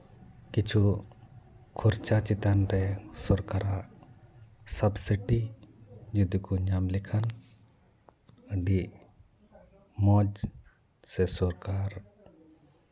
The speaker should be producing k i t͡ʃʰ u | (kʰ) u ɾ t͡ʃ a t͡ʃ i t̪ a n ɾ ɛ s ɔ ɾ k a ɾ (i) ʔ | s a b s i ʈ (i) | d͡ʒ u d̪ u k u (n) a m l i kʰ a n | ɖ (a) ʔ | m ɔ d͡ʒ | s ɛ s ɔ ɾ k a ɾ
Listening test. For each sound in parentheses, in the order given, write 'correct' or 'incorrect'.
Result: correct, incorrect: a, correct, incorrect: ɲ, incorrect: i

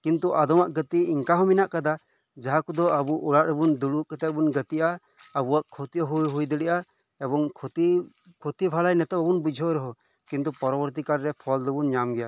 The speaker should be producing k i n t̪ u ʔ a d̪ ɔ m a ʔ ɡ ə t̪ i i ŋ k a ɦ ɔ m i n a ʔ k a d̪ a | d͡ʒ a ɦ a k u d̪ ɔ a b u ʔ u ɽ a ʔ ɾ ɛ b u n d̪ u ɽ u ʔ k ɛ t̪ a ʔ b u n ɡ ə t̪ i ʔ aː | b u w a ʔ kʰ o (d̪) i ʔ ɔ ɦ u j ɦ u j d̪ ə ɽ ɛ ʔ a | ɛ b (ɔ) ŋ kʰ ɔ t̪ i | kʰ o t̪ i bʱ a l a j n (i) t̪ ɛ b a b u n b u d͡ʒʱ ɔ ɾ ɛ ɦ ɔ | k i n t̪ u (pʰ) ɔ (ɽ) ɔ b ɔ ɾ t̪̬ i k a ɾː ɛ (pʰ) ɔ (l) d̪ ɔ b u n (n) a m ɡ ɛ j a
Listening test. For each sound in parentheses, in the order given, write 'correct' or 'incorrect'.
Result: incorrect: t̪, correct, incorrect: ɛ, incorrect: p, incorrect: ɾ, correct, correct, incorrect: ɲ

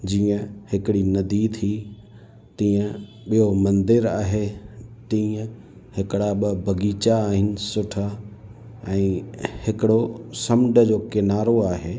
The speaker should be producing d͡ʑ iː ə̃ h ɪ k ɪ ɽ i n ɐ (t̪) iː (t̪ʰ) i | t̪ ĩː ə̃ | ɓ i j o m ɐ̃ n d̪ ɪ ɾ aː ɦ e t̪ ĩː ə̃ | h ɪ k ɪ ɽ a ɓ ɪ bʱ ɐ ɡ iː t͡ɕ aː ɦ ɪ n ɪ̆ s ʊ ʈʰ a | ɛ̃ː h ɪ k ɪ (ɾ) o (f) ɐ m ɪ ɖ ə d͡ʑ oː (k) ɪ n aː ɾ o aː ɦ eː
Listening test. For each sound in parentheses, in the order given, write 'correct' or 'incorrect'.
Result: incorrect: d̪, correct, incorrect: ɽ, incorrect: s, correct

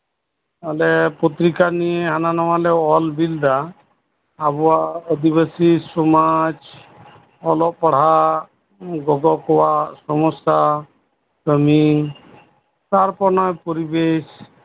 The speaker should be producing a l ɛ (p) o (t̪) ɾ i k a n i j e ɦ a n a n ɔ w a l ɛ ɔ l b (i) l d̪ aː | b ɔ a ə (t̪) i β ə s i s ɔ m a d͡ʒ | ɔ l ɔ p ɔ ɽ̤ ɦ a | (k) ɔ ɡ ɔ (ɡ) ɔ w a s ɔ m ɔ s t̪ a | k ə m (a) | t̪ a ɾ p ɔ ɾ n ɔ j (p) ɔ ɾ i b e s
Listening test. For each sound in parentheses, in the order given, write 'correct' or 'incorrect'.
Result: correct, correct, correct, incorrect: d̪, incorrect: ɡ, incorrect: k, incorrect: i, correct

